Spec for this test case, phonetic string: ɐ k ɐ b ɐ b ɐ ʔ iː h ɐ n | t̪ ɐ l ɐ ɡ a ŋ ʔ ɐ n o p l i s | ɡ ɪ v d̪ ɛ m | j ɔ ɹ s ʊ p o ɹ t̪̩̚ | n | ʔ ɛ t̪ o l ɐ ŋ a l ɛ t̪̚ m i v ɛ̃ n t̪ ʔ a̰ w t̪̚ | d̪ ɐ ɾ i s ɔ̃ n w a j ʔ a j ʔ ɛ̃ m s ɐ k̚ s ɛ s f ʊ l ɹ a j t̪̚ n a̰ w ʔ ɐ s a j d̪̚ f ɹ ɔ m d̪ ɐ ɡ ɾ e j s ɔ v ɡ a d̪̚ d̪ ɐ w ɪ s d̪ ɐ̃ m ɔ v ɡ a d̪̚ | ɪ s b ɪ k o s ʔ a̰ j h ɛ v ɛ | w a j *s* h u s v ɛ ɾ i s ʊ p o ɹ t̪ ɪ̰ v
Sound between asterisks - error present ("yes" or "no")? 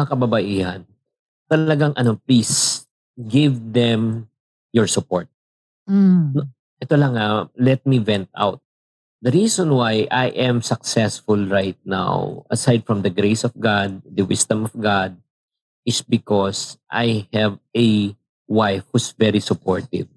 yes